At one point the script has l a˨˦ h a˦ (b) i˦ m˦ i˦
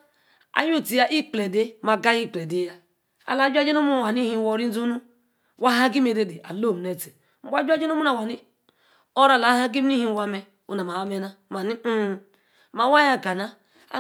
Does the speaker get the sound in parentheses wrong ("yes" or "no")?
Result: yes